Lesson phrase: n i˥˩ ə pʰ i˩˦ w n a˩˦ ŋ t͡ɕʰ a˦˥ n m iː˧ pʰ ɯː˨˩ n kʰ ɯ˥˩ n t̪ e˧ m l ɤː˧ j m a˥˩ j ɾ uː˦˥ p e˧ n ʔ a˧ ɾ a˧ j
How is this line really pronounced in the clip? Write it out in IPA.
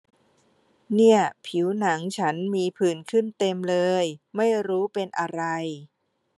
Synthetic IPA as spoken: n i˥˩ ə pʰ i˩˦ w n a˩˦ ŋ t͡ɕʰ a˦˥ n m iː˧ pʰ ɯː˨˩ n kʰ ɯ˥˩ n t̪ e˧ m l ɤː˧ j m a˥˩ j ɾ uː˦˥ p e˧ n ʔ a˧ ɾ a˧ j